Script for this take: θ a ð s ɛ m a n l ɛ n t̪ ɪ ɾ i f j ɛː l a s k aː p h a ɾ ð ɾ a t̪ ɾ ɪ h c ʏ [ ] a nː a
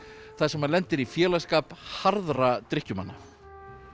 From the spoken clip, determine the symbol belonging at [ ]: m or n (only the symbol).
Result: m